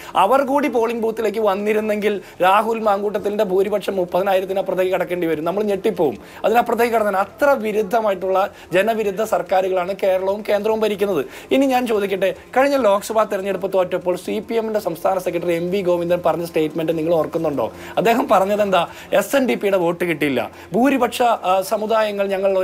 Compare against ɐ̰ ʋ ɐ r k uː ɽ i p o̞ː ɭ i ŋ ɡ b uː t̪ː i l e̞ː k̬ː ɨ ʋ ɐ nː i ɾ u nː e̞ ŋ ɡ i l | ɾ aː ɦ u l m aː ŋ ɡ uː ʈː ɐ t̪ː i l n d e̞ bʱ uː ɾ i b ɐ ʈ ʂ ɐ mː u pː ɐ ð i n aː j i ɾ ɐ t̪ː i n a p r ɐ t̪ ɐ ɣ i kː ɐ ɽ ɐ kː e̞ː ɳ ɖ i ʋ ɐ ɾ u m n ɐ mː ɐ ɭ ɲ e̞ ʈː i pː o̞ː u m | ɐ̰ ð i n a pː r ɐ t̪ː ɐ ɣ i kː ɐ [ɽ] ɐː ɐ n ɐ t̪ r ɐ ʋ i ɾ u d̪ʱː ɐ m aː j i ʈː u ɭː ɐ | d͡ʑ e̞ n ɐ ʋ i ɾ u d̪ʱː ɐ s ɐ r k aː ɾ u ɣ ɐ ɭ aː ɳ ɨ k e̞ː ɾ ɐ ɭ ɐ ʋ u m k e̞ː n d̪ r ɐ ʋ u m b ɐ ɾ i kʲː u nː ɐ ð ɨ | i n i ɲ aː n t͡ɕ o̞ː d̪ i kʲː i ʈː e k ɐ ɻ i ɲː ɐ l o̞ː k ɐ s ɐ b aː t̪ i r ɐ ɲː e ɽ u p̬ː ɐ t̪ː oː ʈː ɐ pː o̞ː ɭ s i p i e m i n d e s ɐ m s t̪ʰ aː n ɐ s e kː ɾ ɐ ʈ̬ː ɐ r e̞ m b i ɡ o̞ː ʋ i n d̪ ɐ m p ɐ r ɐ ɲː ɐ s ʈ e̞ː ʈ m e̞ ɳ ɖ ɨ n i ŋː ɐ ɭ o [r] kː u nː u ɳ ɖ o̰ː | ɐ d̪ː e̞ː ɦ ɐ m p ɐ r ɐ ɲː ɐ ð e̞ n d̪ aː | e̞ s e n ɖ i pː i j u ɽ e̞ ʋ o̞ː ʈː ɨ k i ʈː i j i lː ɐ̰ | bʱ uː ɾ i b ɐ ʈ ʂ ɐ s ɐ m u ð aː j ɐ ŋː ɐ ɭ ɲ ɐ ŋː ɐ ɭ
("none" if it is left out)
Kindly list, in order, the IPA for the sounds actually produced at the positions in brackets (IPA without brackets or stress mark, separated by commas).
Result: ɽ, r